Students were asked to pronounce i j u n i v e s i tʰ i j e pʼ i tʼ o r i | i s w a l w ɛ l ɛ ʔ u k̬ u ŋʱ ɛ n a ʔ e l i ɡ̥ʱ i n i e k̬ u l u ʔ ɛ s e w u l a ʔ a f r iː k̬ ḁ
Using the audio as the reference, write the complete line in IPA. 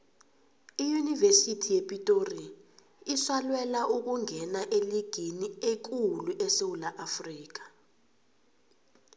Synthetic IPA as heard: i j u n i v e s i tʰ i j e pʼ i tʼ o r i | i s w a l w ɛ l a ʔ u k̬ u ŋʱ ɛ n a ʔ e l i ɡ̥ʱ i n i e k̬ u l u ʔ ɛ s e w u l a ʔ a f r iː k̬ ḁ